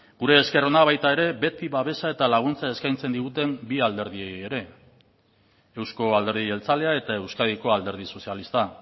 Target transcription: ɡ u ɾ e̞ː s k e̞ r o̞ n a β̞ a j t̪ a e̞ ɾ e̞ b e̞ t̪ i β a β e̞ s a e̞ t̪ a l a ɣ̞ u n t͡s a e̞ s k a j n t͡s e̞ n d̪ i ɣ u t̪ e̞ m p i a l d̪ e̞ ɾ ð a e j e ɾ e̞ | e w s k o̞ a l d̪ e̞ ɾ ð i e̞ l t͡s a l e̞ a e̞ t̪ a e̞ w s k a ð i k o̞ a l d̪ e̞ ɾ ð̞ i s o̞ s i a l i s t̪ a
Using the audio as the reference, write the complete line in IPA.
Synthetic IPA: ɡ u ɾ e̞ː s k e̞ r o̞ n a β̞ a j t̪ a e̞ ɾ e̞ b e̞ t̪ i β a β e̞ s a e̞ t̪ a l a ɣ̞ u n t͡s a e̞ s k a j n t͡s e̞ n d̪ i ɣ u t̪ e̞ m b i a l d̪ e̞ ɾ ð i e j e ɾ e̞ | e w s k o̞ a l d̪ e̞ ɾ ð i e̞ l t͡s a l e̞ a e̞ t̪ a e̞ w s k a ð i k o̞ a l d̪ e̞ ɾ ð̞ i s o̞ s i a l i s t̪ a